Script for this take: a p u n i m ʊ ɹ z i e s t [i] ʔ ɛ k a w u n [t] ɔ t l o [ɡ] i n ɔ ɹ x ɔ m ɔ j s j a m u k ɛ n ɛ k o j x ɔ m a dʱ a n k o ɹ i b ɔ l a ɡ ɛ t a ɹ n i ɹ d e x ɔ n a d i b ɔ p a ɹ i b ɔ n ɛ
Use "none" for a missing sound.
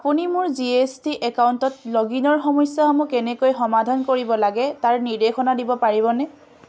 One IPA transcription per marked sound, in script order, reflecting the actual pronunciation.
i, t, ɡ

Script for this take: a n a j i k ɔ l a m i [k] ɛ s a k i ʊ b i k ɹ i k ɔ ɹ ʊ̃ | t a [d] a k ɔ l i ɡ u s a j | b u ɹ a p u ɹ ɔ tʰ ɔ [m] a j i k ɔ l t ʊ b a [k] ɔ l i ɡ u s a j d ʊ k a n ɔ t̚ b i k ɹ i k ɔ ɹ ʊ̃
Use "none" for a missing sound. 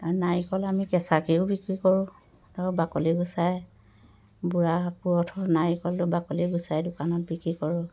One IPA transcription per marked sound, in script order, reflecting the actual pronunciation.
k, b, n, k

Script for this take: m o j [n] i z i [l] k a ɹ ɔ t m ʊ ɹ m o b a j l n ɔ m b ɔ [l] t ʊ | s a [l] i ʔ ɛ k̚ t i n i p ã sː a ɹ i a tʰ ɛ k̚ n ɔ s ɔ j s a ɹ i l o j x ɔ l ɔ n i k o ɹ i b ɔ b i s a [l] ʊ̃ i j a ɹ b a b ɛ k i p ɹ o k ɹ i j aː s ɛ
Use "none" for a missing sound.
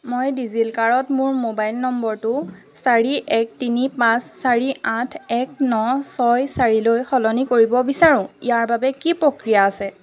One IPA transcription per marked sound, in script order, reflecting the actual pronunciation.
d, l, ɹ, ɹ, ɹ

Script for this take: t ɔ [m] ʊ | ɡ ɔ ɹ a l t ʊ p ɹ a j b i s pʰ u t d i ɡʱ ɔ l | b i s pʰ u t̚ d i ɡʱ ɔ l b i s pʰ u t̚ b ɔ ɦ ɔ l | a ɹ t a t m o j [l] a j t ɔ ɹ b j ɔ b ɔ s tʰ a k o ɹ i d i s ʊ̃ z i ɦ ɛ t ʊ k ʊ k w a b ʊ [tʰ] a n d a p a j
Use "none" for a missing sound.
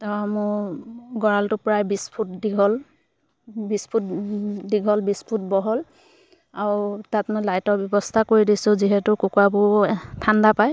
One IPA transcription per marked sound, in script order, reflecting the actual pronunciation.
m, l, tʰ

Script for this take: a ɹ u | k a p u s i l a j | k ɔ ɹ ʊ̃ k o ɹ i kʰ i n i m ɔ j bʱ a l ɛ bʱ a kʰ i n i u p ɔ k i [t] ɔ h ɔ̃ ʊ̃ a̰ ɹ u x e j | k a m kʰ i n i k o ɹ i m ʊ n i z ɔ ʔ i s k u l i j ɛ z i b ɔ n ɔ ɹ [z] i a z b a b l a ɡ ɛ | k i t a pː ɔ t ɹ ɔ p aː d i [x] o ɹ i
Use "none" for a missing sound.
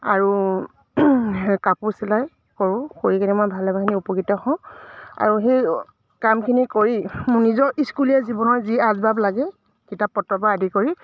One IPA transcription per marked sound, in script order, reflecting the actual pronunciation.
t, z, k

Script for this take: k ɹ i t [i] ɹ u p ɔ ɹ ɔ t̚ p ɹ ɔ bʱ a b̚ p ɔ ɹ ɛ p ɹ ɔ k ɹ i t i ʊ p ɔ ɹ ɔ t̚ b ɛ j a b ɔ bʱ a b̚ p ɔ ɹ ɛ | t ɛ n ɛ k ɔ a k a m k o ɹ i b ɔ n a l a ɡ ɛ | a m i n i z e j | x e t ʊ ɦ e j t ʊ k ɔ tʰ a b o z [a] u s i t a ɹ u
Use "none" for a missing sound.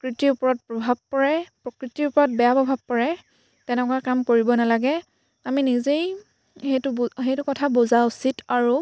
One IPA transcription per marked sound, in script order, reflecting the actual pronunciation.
i, a

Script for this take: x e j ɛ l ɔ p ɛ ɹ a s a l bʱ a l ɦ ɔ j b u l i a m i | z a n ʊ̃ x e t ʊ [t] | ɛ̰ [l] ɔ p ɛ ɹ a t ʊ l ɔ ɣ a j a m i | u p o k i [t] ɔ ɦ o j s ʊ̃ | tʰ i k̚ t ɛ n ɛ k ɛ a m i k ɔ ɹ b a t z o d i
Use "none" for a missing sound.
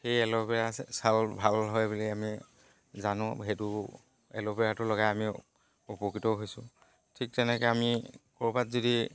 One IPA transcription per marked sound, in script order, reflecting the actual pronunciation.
none, l, t

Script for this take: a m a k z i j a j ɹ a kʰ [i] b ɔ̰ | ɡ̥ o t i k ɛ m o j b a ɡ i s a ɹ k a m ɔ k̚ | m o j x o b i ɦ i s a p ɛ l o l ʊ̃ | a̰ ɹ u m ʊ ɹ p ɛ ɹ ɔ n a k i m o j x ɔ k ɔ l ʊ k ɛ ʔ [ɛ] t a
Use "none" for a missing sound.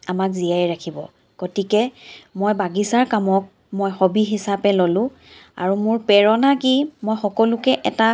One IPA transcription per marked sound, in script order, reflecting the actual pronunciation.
i, ɛ

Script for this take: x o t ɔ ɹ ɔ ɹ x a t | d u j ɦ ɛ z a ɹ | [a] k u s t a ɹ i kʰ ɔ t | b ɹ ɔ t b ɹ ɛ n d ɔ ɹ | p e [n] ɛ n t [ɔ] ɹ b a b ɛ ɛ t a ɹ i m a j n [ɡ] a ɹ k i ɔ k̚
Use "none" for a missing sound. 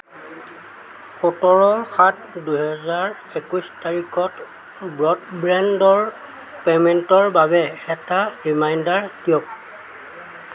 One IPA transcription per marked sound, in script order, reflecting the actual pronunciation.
e, m, ɔ, d

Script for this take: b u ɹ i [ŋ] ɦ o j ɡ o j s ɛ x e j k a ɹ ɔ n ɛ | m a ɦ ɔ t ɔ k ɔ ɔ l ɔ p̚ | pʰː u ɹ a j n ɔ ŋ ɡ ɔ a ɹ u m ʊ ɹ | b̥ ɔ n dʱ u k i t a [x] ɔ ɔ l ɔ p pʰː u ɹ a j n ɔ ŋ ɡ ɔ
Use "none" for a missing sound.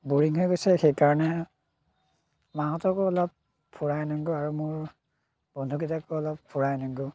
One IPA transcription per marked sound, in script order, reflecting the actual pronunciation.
ŋ, k

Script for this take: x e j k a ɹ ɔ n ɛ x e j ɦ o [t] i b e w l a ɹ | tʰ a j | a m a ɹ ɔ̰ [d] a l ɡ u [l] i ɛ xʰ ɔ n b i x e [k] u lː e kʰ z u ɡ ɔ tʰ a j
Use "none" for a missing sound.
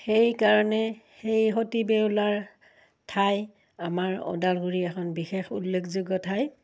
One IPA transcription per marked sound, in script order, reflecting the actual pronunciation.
t, d, ɹ, x

